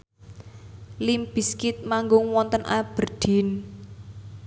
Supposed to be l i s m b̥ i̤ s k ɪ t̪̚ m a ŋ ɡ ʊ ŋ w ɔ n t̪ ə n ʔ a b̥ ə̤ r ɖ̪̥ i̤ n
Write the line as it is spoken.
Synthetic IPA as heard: l i m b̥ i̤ s k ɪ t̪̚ m a ŋ ɡ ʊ ŋ w ɔ n t̪ ə n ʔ a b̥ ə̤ r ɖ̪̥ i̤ n